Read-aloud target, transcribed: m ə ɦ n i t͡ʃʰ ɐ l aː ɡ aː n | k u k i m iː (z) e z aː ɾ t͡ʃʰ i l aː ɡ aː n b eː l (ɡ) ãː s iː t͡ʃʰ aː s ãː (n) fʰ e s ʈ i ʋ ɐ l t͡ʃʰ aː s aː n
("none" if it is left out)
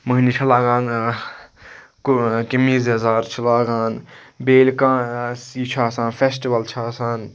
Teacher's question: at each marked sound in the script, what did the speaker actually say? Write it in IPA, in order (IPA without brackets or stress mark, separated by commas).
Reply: z, k, n